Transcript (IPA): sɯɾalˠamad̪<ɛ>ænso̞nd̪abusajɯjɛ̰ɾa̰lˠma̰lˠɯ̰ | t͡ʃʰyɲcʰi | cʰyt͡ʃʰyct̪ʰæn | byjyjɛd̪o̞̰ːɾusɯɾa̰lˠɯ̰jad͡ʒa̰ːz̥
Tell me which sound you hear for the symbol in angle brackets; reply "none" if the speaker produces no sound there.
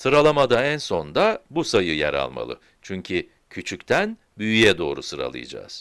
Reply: a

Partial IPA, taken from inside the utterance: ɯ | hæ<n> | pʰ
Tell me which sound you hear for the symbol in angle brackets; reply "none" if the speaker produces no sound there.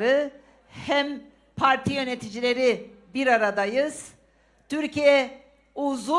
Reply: m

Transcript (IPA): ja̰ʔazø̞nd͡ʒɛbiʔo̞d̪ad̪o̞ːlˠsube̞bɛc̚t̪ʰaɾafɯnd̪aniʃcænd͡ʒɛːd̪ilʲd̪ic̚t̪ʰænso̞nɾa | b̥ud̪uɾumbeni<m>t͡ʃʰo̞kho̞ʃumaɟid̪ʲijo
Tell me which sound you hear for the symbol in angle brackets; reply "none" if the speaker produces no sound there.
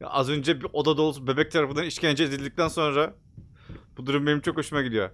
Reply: m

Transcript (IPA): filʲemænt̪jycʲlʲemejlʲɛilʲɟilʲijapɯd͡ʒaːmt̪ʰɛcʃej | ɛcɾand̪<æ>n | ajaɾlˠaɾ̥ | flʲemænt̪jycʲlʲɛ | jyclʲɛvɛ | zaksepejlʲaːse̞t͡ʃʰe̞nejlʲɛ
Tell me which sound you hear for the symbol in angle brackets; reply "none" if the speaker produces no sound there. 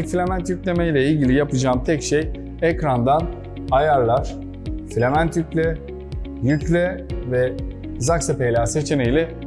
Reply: a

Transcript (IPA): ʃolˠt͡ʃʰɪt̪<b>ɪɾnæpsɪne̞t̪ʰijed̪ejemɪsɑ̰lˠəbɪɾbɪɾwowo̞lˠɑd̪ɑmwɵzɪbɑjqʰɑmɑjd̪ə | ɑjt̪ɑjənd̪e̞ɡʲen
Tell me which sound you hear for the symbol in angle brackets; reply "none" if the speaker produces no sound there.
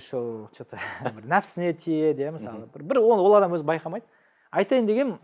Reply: b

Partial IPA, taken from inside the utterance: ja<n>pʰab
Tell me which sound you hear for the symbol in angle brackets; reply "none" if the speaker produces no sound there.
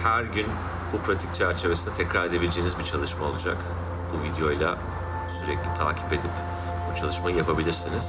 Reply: none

